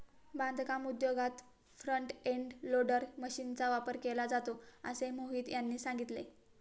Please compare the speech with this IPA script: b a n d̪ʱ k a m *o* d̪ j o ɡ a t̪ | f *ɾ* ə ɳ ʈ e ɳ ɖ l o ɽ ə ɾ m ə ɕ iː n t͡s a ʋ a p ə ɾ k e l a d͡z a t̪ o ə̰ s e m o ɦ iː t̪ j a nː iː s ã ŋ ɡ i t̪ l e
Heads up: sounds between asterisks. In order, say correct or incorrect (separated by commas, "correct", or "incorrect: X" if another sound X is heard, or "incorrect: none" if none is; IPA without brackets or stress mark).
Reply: incorrect: u, correct